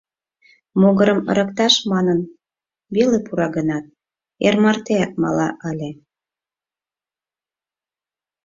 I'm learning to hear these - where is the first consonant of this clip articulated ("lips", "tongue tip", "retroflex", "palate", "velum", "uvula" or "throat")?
lips